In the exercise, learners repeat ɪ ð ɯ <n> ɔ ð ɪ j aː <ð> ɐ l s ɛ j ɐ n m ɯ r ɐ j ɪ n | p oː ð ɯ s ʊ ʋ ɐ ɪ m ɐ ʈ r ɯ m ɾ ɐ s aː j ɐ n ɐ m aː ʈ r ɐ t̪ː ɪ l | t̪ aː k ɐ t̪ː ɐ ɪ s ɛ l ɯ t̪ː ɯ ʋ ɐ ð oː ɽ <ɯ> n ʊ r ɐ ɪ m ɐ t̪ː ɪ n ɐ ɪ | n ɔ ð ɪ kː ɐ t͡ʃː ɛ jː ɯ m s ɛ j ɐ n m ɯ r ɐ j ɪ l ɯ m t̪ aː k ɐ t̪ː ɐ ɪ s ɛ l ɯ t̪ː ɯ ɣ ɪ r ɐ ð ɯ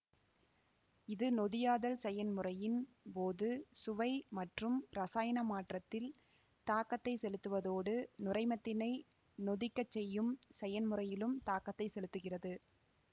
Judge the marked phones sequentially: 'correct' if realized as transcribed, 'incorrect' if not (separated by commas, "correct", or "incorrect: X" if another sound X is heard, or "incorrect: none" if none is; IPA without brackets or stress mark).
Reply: correct, correct, correct